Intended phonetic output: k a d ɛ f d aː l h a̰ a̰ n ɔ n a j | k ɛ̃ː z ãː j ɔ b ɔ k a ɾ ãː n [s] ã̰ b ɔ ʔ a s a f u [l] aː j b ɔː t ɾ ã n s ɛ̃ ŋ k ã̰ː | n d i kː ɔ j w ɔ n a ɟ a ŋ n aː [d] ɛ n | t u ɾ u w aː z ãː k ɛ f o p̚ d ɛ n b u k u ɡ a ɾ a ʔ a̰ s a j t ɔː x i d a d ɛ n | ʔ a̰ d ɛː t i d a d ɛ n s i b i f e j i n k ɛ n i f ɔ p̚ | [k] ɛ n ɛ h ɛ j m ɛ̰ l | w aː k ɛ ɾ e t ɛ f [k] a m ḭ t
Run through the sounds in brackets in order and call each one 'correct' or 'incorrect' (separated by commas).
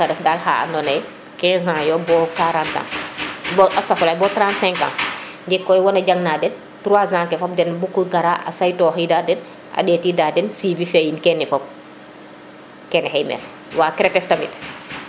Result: incorrect, correct, correct, correct, incorrect